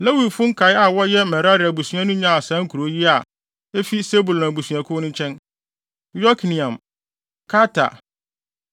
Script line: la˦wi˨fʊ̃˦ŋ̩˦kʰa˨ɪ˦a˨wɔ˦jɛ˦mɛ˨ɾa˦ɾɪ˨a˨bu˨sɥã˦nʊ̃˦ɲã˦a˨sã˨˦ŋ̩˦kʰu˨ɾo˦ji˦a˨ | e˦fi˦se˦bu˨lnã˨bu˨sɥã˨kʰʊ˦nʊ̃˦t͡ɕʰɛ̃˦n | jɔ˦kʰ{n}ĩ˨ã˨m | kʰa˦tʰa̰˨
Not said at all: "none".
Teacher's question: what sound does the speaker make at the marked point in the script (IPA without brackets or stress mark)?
n